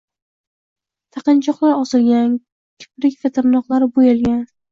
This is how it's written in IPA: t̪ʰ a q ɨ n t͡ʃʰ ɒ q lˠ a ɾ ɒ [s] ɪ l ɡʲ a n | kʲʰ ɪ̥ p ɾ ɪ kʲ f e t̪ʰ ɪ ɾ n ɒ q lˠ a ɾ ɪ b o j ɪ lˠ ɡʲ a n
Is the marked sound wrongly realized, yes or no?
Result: no